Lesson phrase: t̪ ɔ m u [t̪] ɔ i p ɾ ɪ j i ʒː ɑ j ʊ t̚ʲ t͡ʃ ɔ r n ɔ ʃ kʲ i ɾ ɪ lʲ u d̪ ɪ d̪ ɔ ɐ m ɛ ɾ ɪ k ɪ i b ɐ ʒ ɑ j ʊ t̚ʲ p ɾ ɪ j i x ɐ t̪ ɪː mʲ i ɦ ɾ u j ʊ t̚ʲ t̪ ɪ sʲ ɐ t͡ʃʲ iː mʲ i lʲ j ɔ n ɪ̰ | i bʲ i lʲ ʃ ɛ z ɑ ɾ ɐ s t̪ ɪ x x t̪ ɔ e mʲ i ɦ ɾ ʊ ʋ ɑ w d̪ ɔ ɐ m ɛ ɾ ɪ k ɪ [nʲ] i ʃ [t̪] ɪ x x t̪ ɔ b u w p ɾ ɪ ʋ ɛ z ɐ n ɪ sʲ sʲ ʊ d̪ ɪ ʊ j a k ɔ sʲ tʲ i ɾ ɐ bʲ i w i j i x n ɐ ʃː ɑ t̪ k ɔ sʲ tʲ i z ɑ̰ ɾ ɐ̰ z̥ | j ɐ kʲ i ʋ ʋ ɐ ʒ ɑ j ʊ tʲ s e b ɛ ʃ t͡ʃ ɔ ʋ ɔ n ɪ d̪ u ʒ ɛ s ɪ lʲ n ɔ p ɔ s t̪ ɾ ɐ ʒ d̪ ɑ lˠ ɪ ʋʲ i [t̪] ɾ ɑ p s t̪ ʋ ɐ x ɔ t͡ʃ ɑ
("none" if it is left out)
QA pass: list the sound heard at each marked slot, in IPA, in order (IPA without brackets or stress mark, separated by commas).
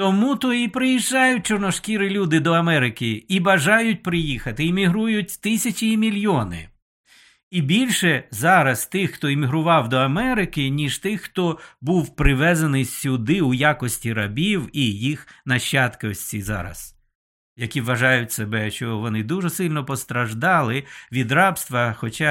t̪, nʲ, t̪, d̪